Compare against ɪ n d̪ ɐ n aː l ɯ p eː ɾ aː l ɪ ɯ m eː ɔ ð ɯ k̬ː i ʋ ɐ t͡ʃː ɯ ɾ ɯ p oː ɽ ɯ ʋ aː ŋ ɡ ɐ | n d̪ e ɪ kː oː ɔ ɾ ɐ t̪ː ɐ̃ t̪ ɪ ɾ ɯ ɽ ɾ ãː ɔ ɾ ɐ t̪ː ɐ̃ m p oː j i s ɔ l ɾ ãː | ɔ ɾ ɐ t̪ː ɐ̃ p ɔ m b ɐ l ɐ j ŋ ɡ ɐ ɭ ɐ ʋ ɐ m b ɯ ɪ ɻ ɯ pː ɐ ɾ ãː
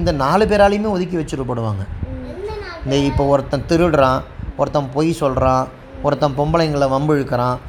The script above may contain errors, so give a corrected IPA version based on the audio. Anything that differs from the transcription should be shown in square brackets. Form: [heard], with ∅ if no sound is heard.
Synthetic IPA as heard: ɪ n d̪ ɐ n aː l ɯ p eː ɾ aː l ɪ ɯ m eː ɔ ð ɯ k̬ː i ʋ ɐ t͡ʃː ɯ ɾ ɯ p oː ɽ ɯ ʋ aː ŋ ɡ ɐ | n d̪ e ɪ [pː] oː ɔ ɾ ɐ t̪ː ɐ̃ t̪ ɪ ɾ ɯ ɽ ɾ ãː ɔ ɾ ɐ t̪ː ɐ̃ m p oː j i s ɔ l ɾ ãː | ɔ ɾ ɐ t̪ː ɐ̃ p ɔ m b ɐ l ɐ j ŋ ɡ ɐ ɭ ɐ ʋ ɐ m b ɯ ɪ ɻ ɯ [kː] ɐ ɾ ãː